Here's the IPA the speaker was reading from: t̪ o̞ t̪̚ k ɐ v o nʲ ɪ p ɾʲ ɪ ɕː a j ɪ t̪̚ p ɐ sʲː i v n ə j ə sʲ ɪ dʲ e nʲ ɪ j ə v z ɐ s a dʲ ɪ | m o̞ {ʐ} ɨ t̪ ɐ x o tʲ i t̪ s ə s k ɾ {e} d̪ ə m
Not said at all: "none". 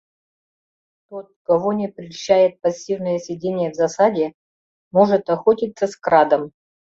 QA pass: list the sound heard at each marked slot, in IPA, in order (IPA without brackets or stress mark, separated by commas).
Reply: ʐ, a